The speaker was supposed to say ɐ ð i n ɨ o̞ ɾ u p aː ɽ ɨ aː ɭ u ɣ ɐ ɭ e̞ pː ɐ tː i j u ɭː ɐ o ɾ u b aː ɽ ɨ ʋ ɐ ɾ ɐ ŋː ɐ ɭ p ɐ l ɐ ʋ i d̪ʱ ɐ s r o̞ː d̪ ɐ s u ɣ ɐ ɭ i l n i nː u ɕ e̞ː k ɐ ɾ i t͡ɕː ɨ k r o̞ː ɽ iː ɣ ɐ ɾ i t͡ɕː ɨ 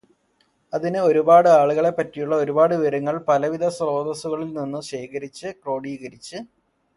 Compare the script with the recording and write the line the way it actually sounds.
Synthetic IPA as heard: ɐ ð i n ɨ o̞ ɾ u b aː ɽ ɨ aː ɭ u ɣ ɐ ɭ e̞ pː ɐ tː i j u ɭː ɐ o ɾ u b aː ɽ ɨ ʋ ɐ ɾ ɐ ŋː ɐ ɭ p ɐ l ɐ ʋ i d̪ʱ ɐ s r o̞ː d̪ ɐ s u ɣ ɐ ɭ i l n i nː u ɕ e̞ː k ɐ ɾ i t͡ɕː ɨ k r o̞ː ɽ iː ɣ ɐ ɾ i t͡ɕː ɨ